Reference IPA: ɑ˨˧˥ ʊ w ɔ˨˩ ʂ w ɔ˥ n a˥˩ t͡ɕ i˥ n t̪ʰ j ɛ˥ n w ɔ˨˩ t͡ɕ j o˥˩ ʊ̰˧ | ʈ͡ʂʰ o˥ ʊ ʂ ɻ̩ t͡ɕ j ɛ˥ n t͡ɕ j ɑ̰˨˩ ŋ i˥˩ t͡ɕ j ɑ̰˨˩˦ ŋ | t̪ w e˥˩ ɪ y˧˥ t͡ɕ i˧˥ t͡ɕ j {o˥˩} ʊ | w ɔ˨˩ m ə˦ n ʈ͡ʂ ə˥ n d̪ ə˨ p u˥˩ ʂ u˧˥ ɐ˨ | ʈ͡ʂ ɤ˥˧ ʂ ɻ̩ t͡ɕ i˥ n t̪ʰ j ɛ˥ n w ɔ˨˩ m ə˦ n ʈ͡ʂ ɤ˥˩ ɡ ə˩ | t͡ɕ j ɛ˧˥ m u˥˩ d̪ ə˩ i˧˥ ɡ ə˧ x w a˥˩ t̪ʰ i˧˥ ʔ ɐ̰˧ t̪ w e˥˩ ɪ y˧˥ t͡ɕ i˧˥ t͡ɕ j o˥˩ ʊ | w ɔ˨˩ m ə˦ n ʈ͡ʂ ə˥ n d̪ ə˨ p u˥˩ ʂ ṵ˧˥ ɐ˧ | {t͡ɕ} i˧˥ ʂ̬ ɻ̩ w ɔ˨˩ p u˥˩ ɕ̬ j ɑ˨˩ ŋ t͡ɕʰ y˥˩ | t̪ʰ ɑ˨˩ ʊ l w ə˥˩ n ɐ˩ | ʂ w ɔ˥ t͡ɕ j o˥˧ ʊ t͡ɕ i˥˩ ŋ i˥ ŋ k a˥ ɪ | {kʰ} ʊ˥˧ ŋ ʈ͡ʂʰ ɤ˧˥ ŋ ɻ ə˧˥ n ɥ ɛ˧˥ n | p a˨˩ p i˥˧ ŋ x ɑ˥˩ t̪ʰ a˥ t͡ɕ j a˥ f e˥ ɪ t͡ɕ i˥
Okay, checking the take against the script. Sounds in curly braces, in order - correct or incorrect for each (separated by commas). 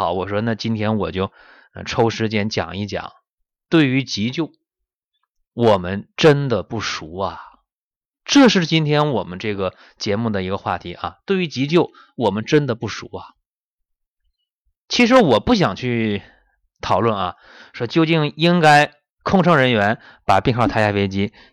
correct, incorrect, correct